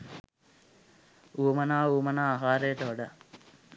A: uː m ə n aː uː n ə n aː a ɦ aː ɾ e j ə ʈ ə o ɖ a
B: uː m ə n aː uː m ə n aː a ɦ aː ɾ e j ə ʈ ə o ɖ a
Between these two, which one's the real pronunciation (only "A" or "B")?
B